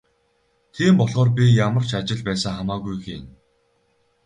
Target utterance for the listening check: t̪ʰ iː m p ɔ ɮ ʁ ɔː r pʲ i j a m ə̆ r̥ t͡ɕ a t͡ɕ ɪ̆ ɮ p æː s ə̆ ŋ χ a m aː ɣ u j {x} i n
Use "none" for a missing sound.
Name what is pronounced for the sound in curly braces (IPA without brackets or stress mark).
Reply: x